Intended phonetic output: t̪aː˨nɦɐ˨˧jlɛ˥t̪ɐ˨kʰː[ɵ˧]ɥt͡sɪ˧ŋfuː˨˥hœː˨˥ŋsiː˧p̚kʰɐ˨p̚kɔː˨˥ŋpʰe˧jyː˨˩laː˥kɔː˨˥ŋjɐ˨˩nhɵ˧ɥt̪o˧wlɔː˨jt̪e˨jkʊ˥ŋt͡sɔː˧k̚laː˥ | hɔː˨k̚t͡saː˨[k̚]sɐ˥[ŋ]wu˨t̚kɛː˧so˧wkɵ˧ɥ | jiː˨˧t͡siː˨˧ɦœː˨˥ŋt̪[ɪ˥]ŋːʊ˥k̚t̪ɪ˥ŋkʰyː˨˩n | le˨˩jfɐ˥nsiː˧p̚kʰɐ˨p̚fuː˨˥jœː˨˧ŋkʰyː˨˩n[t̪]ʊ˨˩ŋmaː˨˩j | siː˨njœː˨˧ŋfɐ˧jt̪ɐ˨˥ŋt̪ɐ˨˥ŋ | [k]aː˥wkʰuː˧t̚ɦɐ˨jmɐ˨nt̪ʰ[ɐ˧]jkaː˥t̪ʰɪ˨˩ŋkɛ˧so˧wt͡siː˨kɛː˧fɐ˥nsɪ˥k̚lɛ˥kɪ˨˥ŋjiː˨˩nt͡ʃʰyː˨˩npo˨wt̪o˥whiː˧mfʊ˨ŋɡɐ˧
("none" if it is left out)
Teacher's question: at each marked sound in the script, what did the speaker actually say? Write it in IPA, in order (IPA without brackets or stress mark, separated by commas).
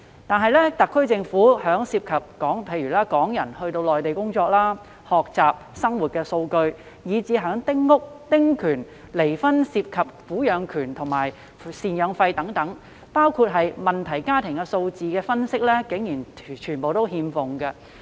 ɵ˥, p̚, ŋ, ɪ˥, t̪ʰ, p, ɐ˨˩